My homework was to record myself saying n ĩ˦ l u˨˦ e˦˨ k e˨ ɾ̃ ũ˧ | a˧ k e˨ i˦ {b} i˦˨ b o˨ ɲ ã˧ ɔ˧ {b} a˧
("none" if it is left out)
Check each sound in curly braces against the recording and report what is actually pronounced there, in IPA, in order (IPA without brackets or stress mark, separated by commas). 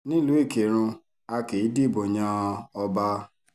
d, b